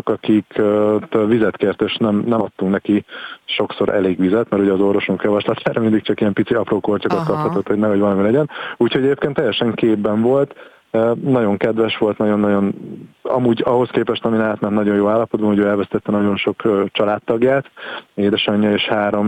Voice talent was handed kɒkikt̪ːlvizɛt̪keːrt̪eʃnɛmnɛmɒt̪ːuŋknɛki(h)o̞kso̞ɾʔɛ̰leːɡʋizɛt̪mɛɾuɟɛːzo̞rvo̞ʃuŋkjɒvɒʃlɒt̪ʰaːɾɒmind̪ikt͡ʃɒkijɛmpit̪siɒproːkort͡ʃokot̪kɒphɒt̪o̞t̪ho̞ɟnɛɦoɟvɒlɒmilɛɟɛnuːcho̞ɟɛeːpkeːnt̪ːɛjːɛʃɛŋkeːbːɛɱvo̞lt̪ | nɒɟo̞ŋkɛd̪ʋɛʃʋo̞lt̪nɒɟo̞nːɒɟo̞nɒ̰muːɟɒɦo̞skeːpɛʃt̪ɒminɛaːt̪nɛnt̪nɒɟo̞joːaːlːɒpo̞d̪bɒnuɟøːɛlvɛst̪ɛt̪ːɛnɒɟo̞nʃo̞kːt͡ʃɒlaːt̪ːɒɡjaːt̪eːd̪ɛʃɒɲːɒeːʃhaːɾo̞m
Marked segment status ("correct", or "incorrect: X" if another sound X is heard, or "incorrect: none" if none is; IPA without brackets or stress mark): incorrect: ʃ